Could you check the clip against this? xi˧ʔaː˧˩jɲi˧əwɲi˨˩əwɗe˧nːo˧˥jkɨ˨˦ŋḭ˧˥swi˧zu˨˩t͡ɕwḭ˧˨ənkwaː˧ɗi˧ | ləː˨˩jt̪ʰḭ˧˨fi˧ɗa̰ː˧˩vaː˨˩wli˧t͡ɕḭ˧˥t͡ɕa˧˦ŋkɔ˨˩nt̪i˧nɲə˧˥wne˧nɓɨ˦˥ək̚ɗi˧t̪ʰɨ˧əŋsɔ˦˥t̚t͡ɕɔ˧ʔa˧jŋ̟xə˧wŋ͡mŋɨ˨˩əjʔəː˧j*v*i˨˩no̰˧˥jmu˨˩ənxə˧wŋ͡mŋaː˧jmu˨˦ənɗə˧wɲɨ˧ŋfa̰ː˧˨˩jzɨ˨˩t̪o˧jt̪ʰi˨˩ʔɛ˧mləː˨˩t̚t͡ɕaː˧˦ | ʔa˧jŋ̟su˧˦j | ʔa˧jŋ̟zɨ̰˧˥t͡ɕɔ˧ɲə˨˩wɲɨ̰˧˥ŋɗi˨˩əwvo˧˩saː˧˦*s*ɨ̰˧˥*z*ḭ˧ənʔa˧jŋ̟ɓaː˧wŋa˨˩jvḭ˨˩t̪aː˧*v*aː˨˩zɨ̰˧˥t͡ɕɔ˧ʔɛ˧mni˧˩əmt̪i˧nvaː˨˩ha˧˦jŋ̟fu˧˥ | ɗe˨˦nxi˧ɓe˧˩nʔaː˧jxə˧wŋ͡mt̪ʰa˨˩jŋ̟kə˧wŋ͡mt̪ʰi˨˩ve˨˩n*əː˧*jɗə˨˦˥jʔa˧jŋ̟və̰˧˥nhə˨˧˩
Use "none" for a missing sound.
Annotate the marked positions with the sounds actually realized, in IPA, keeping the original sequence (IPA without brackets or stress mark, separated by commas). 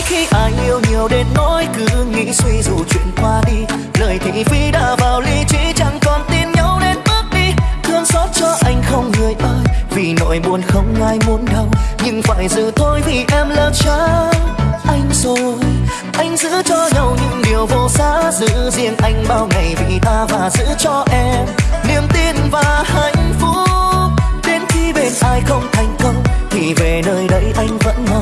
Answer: v, z, z, v, əː˧